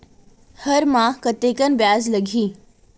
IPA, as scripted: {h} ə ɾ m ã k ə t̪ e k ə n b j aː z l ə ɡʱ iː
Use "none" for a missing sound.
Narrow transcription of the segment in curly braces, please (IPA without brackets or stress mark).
h